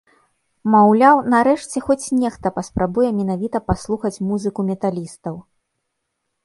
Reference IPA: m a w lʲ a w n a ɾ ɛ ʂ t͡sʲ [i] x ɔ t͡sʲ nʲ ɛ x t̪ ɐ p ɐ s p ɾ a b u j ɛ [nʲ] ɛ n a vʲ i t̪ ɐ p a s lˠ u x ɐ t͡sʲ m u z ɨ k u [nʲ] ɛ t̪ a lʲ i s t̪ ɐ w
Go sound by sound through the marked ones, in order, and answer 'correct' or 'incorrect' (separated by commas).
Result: incorrect, incorrect, incorrect